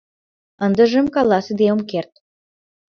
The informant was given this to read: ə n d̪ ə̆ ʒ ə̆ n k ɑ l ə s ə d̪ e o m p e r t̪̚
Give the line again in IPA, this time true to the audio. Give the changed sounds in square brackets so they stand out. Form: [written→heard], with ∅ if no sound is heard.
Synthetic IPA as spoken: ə n d̪ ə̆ ʒ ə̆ [n→m] k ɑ l [ə→ɑ] s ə d̪ e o m [p→k] e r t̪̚